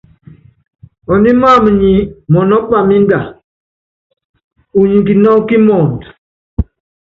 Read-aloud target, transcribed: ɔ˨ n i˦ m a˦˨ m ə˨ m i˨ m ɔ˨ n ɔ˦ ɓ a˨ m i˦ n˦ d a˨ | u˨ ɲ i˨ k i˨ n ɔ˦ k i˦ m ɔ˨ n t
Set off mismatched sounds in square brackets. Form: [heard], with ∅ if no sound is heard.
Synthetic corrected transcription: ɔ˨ n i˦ m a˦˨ m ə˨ [ɲ] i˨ m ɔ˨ n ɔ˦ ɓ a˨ m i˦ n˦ d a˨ | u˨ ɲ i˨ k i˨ n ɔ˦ k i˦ m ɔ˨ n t

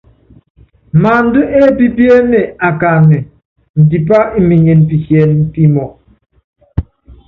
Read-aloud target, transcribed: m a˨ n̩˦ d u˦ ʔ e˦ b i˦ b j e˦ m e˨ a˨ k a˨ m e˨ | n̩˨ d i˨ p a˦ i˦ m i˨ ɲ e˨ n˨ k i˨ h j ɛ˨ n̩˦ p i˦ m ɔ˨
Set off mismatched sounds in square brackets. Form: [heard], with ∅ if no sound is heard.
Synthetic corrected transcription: m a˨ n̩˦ d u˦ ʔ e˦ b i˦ b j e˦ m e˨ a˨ k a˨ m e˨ | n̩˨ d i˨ p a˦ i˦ m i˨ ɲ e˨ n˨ [p] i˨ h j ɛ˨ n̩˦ p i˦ m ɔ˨

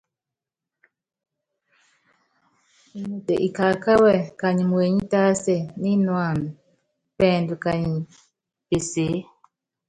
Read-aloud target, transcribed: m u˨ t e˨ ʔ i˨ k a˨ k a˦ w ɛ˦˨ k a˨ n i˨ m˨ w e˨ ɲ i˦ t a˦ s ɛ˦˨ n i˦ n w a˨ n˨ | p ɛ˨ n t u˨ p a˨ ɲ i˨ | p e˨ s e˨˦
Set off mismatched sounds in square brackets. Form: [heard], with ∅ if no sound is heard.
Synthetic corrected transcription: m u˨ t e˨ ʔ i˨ k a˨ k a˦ w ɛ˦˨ k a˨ [ɲ] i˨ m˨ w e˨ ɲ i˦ t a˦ s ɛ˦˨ n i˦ n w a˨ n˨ | p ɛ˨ n [d] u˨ [k] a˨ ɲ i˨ | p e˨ s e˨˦

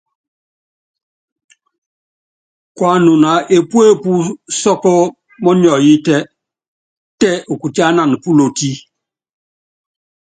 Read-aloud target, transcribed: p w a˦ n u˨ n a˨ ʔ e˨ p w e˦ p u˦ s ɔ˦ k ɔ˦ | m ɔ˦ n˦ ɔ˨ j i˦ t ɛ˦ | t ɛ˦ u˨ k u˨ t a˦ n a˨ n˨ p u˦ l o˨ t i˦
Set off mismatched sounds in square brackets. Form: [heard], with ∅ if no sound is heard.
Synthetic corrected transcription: [k] w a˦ n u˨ n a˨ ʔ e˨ p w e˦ p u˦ s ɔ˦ k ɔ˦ | m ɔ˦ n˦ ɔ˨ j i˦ t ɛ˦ | t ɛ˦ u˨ k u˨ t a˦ n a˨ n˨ p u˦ l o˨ t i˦

